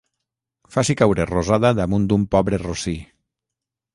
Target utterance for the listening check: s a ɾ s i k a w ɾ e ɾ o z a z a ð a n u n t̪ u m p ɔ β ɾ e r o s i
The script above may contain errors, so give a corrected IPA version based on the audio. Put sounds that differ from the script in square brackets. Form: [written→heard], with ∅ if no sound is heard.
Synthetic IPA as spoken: [s→f] a [ɾ→∅] s i k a w ɾ e [ɾ→r] o z a [z→ð] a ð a [n→m] u n [t̪→d̪] u m p ɔ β ɾ e r o s i